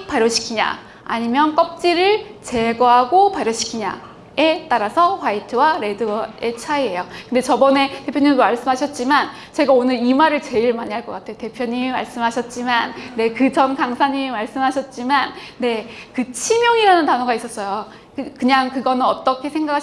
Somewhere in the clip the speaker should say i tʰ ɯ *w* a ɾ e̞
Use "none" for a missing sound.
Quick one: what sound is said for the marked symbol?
w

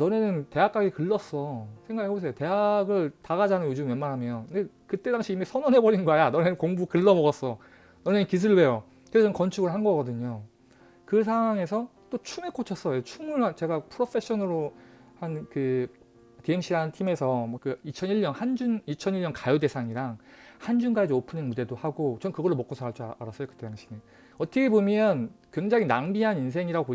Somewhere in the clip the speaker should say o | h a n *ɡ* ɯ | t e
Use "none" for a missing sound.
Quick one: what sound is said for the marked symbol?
k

